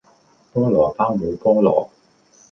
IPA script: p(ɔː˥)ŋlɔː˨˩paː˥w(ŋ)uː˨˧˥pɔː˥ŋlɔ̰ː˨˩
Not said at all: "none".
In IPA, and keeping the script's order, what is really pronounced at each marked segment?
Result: ɔː˥, m

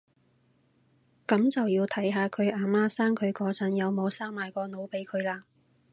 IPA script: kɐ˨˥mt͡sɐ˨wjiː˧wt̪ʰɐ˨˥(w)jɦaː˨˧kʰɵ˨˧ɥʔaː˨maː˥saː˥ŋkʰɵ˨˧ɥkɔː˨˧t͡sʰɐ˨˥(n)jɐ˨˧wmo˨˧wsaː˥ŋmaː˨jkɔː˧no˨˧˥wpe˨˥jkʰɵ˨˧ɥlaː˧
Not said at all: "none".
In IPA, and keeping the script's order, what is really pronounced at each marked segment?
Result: none, n

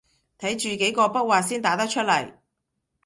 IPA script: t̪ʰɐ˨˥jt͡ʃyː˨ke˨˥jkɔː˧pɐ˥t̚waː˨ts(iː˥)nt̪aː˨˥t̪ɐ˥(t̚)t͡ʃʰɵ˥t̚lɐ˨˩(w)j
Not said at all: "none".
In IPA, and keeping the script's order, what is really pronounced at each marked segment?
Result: iː˥, k̚, none

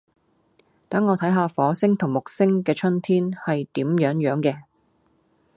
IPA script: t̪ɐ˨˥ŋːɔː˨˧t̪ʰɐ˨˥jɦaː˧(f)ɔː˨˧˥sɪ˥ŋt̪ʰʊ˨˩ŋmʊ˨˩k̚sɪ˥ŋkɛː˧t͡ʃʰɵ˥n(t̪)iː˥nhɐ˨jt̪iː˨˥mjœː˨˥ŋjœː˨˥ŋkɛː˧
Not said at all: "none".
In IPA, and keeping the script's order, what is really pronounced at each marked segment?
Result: f, t̪ʰ

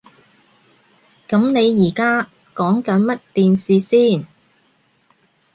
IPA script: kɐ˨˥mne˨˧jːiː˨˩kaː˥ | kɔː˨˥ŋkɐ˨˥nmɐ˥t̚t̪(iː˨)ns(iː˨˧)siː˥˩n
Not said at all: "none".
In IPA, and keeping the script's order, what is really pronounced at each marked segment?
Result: iː˨, iː˨˧

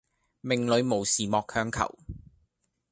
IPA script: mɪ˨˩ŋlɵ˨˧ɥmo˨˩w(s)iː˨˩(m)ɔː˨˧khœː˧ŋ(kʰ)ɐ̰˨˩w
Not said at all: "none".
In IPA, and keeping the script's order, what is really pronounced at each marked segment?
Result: s, m, kʰ

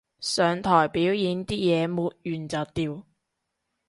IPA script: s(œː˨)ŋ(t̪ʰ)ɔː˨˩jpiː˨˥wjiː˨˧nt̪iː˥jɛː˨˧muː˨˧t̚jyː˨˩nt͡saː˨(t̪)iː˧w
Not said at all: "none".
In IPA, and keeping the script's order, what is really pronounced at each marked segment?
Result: œː˨, t̪ʰ, t̪

